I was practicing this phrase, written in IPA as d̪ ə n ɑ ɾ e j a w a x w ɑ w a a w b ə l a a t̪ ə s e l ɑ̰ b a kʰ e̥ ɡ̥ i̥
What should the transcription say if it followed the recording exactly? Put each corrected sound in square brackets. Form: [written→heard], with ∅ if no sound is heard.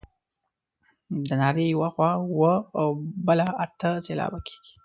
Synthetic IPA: d̪ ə n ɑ ɾ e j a w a x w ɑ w [a→ə] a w b ə l a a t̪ ə s e l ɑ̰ b a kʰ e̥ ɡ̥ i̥